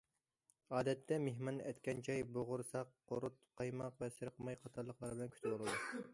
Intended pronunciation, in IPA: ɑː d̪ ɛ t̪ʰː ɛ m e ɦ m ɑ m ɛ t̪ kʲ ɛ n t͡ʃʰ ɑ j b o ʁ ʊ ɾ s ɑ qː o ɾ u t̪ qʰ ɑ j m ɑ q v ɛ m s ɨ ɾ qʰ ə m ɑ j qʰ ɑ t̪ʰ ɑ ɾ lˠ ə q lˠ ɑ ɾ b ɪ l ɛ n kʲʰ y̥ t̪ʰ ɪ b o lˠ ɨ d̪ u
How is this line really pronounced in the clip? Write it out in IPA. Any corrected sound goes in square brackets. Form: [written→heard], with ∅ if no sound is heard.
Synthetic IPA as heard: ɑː d̪ ɛ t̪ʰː ɛ m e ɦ m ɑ [m→n] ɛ t̪ kʲ ɛ n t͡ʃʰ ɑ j b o ʁ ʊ ɾ s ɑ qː o ɾ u t̪ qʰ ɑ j m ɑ q v ɛ [m→∅] s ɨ ɾ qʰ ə m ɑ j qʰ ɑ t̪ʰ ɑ ɾ lˠ ə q lˠ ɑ ɾ b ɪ l ɛ n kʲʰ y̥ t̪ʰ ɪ b o lˠ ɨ d̪ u